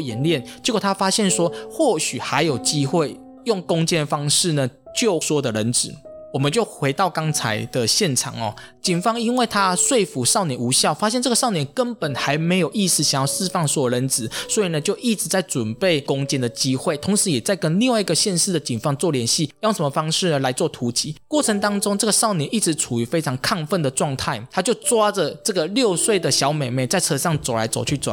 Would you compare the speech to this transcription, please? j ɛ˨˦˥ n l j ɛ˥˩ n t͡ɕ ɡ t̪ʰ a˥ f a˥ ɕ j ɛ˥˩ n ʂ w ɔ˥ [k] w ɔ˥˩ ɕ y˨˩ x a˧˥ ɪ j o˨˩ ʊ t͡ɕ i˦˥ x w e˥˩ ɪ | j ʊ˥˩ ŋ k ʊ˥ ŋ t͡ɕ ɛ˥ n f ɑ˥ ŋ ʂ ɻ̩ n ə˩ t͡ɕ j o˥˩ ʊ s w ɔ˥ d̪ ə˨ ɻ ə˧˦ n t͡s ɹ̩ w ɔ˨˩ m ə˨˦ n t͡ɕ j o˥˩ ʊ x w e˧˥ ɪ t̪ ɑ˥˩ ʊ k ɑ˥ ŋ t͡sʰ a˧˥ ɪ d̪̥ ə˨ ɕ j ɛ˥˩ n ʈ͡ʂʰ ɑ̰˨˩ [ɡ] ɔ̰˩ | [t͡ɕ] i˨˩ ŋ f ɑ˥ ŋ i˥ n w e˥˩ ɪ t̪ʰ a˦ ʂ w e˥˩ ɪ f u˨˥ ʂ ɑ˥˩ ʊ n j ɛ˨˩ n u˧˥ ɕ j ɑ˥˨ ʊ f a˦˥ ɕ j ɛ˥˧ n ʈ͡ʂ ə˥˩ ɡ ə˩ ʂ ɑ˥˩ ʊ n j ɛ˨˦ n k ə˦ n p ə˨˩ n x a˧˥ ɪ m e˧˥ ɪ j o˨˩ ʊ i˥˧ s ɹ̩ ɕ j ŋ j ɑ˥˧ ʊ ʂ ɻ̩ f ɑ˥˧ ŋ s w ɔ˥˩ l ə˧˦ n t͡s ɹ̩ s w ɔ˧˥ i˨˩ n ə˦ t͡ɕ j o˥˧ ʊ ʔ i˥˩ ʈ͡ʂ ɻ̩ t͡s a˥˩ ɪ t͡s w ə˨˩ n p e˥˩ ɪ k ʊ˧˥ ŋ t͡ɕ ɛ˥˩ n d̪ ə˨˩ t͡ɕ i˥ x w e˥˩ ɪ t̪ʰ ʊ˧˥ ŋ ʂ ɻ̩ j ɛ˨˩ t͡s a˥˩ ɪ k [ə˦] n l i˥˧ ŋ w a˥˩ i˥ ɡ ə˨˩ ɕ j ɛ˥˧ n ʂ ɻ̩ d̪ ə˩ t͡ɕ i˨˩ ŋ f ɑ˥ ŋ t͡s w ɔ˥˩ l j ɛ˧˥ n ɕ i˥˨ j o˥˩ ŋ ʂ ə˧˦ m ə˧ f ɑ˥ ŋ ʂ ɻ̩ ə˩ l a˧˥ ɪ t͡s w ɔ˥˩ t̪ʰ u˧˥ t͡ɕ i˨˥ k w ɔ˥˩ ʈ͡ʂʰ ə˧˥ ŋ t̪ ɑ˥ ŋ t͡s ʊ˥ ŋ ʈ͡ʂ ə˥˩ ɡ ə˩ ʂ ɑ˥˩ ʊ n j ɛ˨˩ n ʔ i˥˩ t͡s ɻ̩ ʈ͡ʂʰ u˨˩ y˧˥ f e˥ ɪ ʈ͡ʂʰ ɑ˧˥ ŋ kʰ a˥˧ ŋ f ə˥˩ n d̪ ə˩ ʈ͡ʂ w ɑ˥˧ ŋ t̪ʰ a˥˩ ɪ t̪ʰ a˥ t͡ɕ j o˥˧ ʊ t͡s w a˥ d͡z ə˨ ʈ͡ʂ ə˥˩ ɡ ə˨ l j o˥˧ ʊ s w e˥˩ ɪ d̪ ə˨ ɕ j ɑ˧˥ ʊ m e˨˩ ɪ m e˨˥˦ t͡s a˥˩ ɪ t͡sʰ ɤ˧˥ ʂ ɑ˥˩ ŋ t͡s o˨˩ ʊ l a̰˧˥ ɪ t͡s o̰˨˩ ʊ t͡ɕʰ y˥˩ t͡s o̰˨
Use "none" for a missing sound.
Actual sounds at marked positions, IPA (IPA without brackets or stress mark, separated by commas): x, ŋ, t͡ɕ, ə˦